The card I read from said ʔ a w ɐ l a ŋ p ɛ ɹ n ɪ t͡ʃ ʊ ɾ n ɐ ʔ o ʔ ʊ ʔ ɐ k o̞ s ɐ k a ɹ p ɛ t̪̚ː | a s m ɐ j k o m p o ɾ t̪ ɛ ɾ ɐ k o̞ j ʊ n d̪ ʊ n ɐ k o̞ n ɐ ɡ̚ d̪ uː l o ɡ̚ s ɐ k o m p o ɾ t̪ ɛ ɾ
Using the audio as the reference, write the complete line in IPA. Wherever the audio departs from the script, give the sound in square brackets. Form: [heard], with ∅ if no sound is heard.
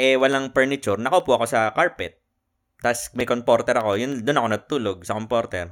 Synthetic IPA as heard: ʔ [ɛ] w ɐ l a ŋ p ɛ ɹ n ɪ t͡ʃ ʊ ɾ n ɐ [k] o [p] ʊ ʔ ɐ k o̞ s ɐ k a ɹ p ɛ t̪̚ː | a s m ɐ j k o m p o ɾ t̪ ɛ ɾ ɐ k o̞ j ʊ n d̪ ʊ n ɐ k o̞ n ɐ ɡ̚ [t̪] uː l o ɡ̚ s ɐ k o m p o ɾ t̪ ɛ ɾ